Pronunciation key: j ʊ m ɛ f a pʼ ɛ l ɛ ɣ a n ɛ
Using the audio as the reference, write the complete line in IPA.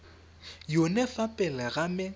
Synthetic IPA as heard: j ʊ n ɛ f a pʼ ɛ l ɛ ɣ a m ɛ